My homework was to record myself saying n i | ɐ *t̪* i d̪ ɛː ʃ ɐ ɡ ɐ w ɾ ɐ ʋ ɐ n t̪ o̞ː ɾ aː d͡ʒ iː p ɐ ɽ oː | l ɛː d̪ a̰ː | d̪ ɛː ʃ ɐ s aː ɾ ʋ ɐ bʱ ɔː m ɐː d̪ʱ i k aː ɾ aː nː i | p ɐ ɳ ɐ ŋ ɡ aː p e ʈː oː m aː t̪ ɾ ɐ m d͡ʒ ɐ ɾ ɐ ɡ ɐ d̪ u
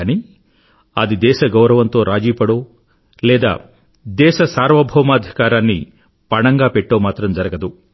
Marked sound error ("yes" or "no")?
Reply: yes